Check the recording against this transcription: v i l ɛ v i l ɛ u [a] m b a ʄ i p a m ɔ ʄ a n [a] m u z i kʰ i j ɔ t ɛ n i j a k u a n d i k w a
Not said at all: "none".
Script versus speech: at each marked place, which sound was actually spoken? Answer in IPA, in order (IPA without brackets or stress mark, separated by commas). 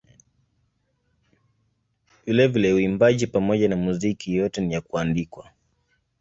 i, a